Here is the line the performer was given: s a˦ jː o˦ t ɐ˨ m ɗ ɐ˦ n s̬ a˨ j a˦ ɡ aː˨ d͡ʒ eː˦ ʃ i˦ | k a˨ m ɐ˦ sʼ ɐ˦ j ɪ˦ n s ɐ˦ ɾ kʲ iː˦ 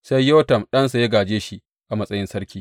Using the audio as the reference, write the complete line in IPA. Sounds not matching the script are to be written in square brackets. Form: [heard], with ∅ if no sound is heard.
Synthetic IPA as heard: s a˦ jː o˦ t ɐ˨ m ɗ ɐ˦ n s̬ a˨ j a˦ ɡ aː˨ d͡ʒ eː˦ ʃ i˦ | [ʔ] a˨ m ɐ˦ sʼ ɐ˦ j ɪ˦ n s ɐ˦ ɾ kʲ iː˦